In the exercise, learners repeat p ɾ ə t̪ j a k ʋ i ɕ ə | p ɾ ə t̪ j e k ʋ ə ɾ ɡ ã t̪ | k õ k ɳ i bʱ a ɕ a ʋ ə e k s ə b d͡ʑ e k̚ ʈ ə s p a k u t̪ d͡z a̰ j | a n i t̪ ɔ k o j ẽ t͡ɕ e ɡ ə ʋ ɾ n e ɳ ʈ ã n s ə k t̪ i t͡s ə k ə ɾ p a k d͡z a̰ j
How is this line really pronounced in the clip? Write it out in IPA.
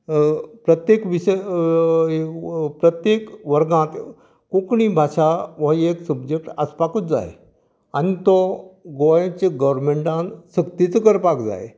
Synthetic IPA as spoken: p ɾ ə t̪ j e k ʋ i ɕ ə | p ɾ ə t̪ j e k ʋ ə ɾ ɡ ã t̪ | k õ k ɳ i bʱ a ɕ a ʋ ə e k s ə b d͡ʑ e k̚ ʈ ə s p a k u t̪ d͡z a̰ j | a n i t̪ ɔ ɡ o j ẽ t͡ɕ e ɡ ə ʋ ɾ m e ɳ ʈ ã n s ə k t̪ i t͡s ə k ə ɾ p a k d͡z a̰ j